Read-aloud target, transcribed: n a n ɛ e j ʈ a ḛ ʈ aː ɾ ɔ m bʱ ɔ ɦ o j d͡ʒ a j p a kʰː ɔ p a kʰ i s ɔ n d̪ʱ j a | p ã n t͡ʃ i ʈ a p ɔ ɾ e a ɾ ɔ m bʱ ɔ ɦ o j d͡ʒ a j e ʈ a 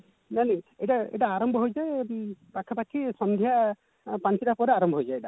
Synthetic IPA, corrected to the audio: n a n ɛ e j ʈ a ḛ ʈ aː ɾ ɔ m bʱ ɔ ɦ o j d͡ʒ a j p a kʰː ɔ p a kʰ i s ɔ n d̪ʱ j a | p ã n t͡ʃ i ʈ a p ɔ ɾ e a ɾ ɔ m bʱ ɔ ɦ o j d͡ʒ a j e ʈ a